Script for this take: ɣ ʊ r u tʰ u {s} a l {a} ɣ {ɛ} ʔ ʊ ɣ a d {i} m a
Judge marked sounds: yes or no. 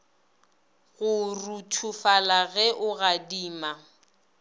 no, yes, yes, no

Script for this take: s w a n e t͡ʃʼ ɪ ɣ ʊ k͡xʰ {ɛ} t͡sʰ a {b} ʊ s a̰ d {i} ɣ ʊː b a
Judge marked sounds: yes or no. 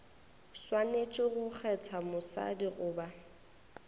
yes, no, yes

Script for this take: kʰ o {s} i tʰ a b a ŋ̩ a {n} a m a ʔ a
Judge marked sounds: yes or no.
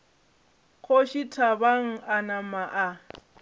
no, yes

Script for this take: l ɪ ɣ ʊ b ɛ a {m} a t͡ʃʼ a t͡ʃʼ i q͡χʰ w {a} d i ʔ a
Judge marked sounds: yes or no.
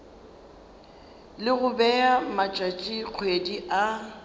yes, no

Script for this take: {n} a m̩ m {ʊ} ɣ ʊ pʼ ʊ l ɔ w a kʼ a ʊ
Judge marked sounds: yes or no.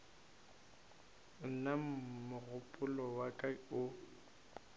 yes, yes

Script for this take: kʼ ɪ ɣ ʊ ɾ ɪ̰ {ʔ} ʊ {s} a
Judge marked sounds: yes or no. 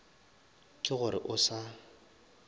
yes, yes

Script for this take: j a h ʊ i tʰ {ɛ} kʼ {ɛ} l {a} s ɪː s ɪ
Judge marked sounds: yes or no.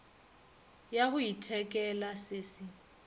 yes, yes, yes

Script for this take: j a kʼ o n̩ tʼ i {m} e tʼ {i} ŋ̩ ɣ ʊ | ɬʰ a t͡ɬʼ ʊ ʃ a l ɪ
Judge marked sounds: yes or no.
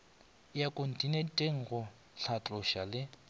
no, no

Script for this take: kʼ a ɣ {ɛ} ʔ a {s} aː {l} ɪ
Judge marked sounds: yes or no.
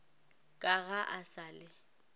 no, yes, yes

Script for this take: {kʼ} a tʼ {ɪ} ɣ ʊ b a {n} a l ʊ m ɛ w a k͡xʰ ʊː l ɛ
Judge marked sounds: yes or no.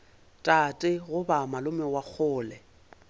no, yes, no

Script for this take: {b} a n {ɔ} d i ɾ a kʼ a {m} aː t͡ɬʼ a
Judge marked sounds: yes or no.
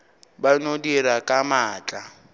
yes, no, yes

